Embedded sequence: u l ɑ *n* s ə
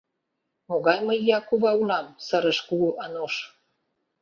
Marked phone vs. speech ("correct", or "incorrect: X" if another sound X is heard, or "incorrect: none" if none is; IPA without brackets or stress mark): incorrect: m